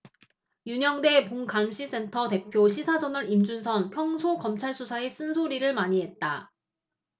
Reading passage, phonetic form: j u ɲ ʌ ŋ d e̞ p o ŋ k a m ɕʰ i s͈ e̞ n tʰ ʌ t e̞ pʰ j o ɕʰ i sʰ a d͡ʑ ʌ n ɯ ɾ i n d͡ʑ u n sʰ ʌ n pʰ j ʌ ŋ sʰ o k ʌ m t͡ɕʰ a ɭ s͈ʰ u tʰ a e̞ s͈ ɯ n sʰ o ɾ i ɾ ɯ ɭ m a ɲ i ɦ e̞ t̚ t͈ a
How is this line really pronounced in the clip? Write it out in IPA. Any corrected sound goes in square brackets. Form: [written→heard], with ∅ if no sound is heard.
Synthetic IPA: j u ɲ ʌ ŋ d e̞ p o ŋ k a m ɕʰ i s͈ e̞ n tʰ ʌ t e̞ pʰ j o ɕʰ i sʰ a d͡ʑ ʌ n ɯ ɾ i [n→m] d͡ʑ u n sʰ ʌ n pʰ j ʌ ŋ sʰ o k ʌ m t͡ɕʰ a ɭ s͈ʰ u [tʰ→sʰ] a e̞ s͈ ɯ n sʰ o ɾ i ɾ ɯ ɭ m a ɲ i ɦ e̞ t̚ t͈ a